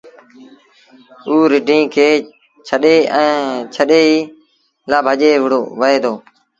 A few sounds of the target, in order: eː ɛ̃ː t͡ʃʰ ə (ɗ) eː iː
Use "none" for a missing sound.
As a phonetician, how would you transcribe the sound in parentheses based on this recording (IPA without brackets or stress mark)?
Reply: ɗ